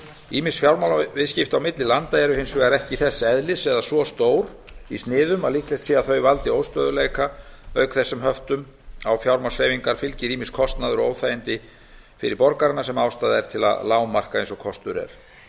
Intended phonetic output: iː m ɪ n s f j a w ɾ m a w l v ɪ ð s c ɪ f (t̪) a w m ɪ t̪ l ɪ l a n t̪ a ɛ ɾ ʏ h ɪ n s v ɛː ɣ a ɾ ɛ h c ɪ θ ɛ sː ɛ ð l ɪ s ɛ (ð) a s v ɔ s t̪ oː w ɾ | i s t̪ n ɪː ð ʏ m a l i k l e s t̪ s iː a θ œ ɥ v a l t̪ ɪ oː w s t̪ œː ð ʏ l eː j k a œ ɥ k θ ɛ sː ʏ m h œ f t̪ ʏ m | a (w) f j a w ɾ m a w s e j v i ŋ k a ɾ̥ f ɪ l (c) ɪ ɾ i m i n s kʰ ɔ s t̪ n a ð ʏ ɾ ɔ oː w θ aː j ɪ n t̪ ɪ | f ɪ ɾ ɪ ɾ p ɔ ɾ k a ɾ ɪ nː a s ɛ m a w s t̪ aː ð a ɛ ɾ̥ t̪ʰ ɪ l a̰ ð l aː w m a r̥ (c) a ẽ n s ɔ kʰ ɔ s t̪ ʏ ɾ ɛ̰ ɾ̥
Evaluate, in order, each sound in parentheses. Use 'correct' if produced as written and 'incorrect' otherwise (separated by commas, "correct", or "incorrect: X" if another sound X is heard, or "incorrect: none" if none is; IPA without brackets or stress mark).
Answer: correct, correct, correct, correct, incorrect: k